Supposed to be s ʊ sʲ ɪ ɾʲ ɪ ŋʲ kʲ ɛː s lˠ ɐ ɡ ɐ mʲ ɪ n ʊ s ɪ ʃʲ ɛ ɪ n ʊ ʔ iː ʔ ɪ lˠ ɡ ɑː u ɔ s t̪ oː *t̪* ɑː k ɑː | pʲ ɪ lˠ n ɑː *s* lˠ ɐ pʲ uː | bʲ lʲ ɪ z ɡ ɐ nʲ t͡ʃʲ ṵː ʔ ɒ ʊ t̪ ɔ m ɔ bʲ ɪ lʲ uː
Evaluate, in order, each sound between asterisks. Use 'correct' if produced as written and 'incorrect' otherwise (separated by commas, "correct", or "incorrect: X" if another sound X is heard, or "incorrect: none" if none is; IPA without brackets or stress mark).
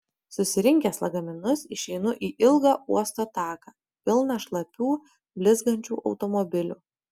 correct, incorrect: ʃ